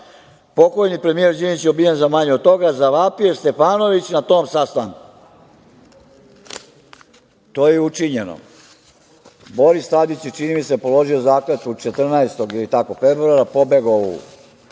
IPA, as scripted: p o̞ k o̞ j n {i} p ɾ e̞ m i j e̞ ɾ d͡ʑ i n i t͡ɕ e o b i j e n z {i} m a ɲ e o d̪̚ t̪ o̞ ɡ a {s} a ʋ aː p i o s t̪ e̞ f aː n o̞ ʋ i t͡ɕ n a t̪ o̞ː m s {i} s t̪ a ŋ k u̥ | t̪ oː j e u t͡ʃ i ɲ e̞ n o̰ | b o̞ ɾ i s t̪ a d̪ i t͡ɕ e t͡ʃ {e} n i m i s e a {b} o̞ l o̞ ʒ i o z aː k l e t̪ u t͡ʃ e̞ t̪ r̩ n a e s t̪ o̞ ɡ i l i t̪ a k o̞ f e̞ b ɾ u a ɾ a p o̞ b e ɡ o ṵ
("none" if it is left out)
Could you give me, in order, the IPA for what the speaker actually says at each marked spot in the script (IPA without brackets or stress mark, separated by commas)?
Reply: i, a, z, a, i, p